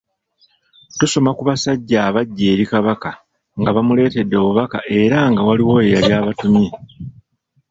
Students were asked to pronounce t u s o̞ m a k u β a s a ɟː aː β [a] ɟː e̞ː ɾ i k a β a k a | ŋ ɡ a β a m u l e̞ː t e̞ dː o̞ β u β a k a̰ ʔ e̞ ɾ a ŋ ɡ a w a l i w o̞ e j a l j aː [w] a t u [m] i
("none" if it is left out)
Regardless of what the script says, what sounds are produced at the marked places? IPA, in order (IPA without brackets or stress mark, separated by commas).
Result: a, β, m